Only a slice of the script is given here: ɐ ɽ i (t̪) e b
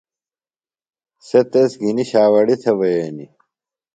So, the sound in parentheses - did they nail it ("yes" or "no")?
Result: no